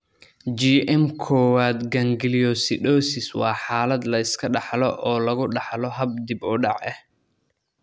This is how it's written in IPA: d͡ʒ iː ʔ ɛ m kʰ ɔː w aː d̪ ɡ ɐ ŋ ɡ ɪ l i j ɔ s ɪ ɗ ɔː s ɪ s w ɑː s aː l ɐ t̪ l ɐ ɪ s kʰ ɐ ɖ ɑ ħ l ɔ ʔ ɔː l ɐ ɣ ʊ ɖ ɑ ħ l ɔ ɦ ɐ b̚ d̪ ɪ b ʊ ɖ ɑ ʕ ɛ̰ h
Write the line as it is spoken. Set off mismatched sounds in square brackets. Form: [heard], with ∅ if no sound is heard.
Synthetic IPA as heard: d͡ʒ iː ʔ ɛ m kʰ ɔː w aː d̪ ɡ ɐ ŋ ɡ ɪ l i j ɔ s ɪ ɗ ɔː s ɪ s w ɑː [ħ] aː l ɐ [d̪] l ɐ ɪ s kʰ ɐ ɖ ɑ ħ l ɔ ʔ ɔː l ɐ ɣ ʊ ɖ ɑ ħ l ɔ ɦ ɐ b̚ d̪ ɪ b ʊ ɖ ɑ ʕ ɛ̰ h